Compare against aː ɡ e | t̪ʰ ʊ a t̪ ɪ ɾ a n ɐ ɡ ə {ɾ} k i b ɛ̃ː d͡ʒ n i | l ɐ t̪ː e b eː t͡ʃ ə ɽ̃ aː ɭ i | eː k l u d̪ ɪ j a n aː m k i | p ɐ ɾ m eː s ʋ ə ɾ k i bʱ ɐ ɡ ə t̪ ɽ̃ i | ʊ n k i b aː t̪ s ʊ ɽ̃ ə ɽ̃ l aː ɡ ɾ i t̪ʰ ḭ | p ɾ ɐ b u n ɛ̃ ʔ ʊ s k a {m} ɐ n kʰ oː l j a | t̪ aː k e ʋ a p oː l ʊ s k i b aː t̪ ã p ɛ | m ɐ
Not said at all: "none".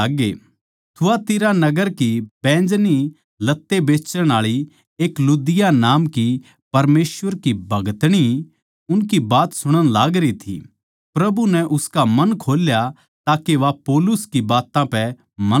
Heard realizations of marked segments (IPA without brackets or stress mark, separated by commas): ɾ, m